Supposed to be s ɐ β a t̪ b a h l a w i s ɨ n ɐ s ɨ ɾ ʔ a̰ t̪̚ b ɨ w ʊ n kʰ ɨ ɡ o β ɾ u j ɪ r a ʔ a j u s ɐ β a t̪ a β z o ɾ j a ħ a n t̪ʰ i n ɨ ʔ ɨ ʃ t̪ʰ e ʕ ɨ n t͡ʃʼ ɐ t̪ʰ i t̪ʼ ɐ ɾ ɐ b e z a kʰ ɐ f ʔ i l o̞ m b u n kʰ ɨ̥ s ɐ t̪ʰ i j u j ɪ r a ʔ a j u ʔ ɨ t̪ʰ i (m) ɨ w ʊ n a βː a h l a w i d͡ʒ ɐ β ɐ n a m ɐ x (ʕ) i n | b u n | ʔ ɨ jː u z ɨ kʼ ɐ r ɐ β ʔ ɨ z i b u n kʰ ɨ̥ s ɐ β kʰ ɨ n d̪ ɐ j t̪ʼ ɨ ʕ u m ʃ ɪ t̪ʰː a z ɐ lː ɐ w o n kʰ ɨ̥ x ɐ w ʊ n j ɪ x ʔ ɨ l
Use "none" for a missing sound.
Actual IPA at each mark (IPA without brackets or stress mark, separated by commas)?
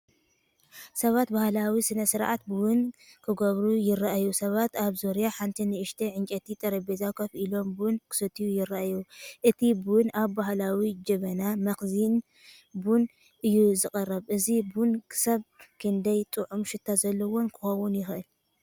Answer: b, z